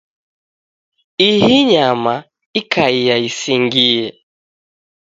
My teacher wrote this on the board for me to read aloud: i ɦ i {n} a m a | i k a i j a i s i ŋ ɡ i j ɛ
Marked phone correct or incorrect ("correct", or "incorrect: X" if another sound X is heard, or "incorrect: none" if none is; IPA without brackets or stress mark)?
incorrect: ɲ